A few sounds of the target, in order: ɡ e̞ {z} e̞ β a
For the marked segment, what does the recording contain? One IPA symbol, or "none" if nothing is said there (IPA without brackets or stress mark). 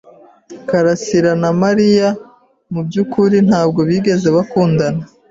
z